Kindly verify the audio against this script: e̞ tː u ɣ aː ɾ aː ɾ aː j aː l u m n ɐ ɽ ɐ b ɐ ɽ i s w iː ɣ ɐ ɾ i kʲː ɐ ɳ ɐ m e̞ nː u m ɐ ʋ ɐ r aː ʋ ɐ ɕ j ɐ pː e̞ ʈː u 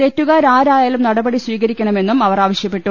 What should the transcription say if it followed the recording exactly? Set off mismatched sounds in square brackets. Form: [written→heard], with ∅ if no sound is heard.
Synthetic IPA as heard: e̞ tː u ɣ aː ɾ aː ɾ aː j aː l u m n ɐ ɽ ɐ b ɐ ɽ i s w iː ɣ ɐ ɾ i kʲː ɐ ɳ ɐ m e̞ nː u m ɐ ʋ ɐ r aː ʋ ɐ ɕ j ɐ pː e̞ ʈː u